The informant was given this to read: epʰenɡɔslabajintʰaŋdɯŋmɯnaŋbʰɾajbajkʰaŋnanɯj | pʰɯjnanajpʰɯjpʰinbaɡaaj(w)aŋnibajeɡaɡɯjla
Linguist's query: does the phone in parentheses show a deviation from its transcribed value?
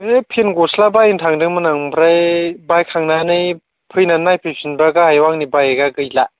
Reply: no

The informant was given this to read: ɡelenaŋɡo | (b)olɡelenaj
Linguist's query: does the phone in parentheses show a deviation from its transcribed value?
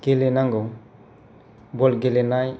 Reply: no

